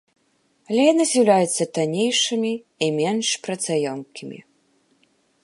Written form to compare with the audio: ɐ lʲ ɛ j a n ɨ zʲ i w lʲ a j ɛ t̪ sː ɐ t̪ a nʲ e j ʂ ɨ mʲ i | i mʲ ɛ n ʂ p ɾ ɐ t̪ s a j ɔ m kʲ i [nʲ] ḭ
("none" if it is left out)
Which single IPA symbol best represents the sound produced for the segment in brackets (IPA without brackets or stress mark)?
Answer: mʲ